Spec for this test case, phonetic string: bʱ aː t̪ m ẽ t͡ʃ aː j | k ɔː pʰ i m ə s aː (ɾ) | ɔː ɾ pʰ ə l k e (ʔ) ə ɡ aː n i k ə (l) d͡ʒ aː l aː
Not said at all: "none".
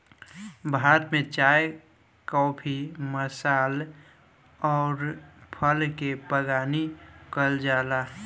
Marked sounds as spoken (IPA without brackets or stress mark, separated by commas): l, p, l